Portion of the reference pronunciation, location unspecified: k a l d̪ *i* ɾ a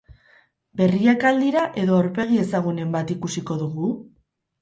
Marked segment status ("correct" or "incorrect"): correct